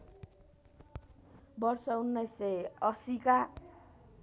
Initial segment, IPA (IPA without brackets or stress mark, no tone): b